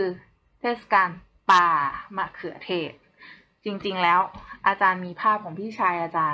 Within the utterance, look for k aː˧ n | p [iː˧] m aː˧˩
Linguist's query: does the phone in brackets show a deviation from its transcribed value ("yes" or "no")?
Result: yes